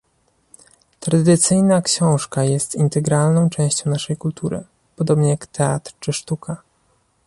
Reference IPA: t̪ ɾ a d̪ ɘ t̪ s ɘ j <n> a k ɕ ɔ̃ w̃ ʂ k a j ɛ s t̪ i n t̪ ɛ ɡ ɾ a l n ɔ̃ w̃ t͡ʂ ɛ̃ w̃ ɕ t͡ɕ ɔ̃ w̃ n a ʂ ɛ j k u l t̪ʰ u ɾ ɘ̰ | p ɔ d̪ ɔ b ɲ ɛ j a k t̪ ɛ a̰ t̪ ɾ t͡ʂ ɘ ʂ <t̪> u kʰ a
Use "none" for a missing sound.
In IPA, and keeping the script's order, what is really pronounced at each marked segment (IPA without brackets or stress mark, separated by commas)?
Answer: n, t̪